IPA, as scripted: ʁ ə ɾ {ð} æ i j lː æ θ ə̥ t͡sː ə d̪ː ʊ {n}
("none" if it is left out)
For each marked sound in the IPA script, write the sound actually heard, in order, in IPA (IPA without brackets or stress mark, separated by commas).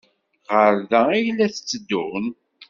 ð, n